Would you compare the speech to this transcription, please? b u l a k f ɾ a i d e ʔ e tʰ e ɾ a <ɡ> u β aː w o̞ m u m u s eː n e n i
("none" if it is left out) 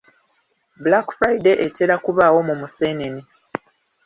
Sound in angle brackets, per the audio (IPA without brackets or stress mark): k